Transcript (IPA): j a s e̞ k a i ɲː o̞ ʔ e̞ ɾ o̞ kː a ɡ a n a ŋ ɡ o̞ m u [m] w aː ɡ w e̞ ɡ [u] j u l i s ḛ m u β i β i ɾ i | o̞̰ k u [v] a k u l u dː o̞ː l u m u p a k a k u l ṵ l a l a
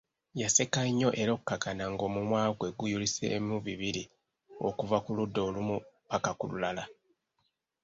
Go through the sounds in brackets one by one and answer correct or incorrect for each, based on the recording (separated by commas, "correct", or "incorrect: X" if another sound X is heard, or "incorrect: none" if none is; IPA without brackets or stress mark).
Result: correct, correct, correct